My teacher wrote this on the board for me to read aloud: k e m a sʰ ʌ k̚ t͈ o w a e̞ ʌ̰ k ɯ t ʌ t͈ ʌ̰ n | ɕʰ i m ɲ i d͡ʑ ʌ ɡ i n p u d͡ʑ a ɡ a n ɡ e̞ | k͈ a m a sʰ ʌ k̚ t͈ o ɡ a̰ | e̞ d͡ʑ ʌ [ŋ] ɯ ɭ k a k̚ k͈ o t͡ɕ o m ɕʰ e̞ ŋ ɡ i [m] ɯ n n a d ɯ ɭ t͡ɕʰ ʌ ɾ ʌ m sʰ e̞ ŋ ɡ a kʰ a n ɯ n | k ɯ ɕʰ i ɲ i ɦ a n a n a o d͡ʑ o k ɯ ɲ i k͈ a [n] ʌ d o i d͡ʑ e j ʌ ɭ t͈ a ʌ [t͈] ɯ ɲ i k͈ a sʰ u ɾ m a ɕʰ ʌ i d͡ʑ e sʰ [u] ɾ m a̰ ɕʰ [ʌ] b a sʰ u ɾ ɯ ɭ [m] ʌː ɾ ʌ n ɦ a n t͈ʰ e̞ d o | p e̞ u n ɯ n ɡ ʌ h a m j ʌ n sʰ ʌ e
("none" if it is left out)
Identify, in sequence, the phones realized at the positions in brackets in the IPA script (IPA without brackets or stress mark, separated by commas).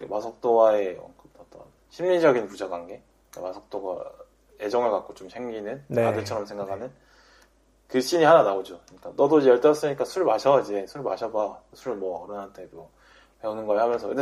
ŋ, n, n, s͈, u, ʌ, m